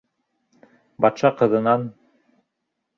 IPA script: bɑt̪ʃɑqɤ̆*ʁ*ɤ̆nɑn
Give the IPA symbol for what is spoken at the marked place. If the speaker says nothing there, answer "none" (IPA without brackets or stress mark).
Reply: ð